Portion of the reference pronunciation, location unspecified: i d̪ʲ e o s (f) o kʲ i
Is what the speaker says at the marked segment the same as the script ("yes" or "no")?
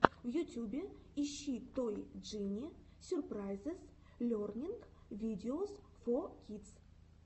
yes